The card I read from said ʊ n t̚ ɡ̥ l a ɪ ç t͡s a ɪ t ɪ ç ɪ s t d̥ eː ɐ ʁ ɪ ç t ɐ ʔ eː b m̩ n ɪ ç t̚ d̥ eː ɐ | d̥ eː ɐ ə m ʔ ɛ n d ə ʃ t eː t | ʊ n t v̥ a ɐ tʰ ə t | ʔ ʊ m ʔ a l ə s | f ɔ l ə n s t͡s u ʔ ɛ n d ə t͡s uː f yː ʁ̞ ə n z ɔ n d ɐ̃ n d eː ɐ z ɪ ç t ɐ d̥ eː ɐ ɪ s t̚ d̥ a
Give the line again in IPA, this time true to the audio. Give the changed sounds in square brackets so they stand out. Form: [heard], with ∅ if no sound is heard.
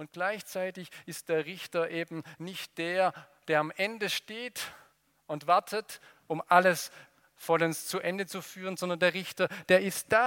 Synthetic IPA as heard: ʊ n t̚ ɡ̥ l a ɪ ç t͡s a ɪ t ɪ ç ɪ s t d̥ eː ɐ ʁ ɪ ç t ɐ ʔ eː b m̩ n ɪ ç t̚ d̥ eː ɐ | d̥ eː ɐ [a] m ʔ ɛ n d ə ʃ t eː t | ʊ n t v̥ a ɐ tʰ ə t | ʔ ʊ m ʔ a l ə s | f ɔ l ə n s t͡s u ʔ ɛ n d ə t͡s [u] f yː ʁ̞ ə n z ɔ n d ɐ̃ n d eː ɐ [ʁ] ɪ ç t ɐ d̥ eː ɐ ɪ s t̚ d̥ a